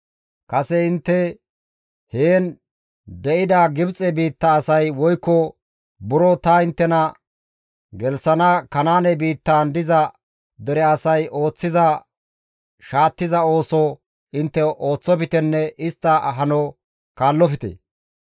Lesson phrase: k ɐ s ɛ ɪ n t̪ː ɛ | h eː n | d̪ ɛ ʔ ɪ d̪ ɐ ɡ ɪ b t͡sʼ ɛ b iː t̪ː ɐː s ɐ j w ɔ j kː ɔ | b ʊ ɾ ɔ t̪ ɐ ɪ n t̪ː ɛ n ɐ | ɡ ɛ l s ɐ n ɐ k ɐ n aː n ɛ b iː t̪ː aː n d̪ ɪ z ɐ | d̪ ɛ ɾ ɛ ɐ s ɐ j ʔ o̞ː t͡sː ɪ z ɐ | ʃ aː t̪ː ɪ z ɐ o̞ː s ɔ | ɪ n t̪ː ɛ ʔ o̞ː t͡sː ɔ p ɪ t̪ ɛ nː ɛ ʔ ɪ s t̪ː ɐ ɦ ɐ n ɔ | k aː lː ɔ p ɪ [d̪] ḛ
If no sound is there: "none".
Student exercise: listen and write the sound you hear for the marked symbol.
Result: t̪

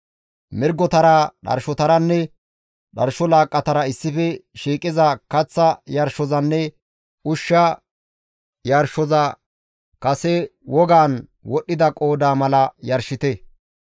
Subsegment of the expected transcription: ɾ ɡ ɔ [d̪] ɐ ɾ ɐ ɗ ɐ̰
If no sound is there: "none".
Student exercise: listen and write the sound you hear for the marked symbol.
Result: t̪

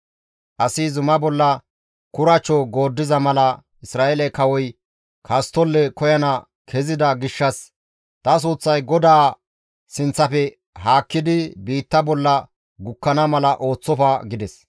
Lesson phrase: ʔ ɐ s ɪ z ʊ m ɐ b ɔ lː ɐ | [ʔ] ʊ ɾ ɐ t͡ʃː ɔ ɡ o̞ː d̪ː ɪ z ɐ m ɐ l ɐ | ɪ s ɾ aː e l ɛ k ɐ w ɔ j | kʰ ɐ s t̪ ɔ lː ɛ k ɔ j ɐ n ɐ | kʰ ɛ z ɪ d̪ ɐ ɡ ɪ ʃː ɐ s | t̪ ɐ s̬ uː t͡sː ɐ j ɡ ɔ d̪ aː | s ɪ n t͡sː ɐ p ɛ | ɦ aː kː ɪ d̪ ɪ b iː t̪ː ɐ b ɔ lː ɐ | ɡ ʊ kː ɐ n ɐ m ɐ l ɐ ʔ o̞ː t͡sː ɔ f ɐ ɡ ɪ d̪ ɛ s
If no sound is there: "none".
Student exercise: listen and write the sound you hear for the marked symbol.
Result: k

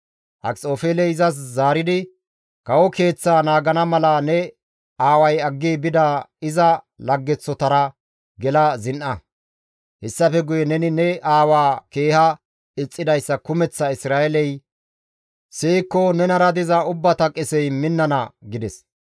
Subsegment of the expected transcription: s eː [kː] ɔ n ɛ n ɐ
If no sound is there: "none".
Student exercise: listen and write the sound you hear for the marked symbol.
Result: kː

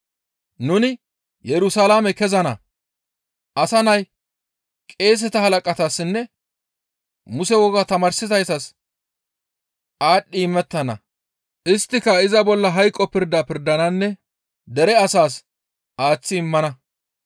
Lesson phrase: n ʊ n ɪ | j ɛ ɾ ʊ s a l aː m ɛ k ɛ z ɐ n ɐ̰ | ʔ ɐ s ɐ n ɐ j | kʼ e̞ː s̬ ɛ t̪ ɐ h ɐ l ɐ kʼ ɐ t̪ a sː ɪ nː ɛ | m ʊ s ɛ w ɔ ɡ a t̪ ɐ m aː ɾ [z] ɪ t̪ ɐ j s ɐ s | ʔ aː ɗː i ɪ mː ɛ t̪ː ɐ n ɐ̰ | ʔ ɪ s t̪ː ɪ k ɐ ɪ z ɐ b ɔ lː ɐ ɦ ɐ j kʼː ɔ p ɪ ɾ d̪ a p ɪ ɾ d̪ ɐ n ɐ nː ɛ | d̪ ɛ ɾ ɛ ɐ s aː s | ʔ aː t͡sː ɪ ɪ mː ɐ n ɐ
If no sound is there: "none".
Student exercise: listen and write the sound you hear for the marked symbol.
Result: s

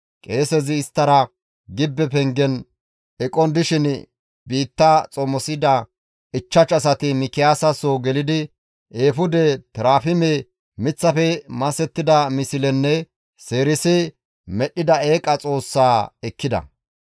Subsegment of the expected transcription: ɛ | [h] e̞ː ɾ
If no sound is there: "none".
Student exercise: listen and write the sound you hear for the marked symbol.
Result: s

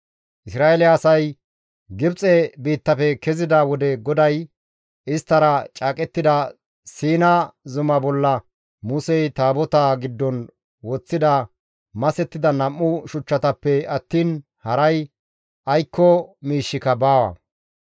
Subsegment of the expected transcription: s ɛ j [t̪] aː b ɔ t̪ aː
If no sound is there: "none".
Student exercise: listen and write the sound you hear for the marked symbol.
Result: t̪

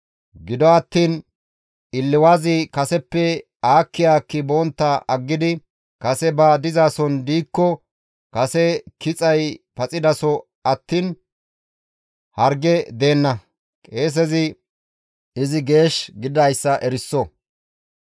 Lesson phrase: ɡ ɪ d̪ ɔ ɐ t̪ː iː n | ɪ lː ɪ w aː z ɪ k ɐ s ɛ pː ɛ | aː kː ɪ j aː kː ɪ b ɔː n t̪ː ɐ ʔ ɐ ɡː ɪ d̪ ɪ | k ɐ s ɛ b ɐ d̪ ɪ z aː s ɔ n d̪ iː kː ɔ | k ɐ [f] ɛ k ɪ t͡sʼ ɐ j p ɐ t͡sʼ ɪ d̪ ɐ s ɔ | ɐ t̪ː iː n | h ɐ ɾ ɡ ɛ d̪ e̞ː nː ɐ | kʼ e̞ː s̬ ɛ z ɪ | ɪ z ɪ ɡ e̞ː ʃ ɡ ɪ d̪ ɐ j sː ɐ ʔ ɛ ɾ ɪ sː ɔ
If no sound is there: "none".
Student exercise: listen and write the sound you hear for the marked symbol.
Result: s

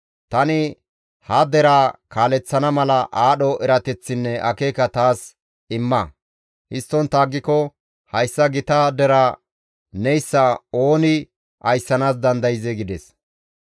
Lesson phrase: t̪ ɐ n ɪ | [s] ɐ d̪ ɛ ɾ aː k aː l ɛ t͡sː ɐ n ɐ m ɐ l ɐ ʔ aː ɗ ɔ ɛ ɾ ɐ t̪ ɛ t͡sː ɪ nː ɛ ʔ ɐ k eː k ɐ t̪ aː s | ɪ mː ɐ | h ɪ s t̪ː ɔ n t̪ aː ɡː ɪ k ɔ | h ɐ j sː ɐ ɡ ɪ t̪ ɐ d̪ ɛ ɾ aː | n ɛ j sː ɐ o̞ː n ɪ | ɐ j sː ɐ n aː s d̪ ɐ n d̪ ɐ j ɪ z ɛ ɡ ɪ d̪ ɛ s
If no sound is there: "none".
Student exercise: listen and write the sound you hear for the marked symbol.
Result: h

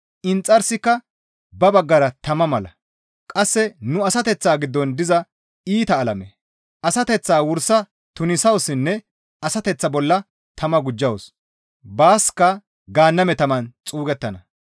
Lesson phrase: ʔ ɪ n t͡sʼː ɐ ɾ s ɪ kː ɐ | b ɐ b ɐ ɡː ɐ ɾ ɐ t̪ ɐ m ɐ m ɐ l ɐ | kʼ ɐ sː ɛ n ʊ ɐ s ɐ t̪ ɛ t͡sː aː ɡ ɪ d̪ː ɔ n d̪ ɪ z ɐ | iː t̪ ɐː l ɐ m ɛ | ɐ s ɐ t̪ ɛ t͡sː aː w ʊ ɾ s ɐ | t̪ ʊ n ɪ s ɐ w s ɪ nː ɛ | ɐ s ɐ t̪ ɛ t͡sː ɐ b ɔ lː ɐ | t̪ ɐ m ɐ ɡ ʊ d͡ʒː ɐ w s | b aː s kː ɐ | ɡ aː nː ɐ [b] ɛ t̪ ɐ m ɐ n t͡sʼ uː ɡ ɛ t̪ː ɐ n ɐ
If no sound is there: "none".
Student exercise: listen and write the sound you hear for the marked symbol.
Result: m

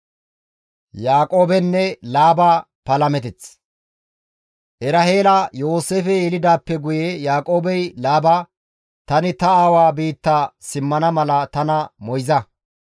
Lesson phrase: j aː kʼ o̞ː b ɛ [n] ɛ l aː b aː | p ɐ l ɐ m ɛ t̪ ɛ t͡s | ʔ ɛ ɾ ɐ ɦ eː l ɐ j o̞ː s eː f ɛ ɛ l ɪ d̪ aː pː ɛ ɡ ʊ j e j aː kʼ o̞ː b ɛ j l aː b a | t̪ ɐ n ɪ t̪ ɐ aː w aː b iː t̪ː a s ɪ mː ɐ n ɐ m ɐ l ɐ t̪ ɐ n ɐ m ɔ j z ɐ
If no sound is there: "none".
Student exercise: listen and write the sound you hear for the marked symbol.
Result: nː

